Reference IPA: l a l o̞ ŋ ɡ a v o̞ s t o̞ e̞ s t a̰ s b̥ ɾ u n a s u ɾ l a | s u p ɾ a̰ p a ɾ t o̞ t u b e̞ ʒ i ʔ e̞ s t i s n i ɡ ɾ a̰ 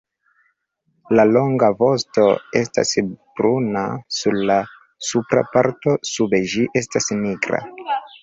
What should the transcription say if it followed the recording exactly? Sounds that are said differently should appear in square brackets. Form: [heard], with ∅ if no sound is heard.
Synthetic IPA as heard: l a l o̞ ŋ ɡ a v o̞ s t o̞ e̞ s t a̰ s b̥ ɾ u n a s u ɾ l a | s u p ɾ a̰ p a ɾ t o̞ [s] u b e̞ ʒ i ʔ e̞ s t [a] s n i ɡ ɾ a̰